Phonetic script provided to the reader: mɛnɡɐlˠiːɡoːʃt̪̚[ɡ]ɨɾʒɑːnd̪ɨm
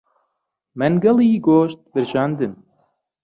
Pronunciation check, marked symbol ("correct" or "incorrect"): incorrect